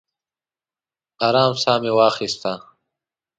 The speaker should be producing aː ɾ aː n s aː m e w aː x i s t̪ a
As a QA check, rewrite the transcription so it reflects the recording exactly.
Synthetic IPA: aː ɾ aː m s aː m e w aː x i s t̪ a